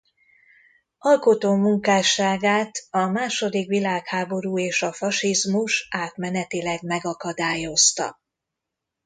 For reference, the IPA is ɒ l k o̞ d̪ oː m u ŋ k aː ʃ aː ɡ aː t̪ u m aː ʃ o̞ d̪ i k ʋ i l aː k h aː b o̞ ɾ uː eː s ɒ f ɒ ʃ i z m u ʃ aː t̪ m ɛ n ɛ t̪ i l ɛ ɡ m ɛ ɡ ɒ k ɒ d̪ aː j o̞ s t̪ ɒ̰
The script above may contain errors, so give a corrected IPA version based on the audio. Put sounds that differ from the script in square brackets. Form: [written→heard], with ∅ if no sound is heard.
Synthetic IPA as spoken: ɒ l k o̞ [d̪→t̪] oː m u ŋ k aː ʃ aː ɡ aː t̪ [u→ɒ] m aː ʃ o̞ d̪ i k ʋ i l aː k h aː b o̞ ɾ uː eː [s→ʃ] ɒ f ɒ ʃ i z m u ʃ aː t̪ m ɛ n ɛ t̪ i l ɛ ɡ m ɛ ɡ ɒ k ɒ d̪ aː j o̞ s t̪ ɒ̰